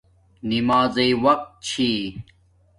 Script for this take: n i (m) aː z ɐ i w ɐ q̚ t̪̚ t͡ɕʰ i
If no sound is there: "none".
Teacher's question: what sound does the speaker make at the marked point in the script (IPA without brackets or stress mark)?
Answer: m